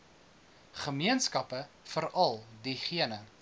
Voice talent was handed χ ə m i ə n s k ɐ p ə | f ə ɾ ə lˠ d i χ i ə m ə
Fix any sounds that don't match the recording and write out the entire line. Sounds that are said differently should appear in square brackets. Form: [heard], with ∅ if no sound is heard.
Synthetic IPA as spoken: χ ə m i ə n s k ɐ p ə | f ə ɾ [ɐ] lˠ d i χ i ə [n] ə